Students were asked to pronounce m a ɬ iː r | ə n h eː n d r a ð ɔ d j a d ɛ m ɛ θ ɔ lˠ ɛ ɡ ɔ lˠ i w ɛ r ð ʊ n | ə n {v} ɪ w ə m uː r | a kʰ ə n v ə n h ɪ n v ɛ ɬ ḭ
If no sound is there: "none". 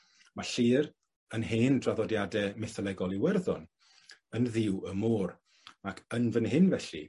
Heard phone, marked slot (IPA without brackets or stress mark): ð